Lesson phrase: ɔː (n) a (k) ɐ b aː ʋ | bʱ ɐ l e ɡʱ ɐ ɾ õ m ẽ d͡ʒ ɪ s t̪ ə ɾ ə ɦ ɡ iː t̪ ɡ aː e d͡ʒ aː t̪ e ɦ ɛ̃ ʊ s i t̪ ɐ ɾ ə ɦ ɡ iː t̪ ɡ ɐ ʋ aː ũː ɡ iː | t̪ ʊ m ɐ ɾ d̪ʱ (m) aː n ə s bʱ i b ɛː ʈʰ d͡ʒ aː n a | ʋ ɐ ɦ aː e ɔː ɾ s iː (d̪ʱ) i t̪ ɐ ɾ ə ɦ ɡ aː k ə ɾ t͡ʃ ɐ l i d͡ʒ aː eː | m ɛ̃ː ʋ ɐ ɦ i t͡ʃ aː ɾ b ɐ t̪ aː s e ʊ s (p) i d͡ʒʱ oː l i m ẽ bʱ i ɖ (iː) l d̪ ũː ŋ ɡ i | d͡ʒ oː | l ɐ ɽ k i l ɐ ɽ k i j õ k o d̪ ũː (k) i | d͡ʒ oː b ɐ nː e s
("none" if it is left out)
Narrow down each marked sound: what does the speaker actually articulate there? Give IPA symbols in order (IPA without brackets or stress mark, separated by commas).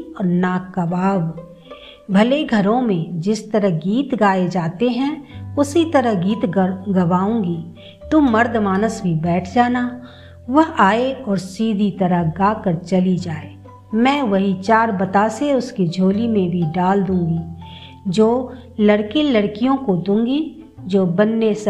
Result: n, k, m, d̪ʱ, k, aː, ɡ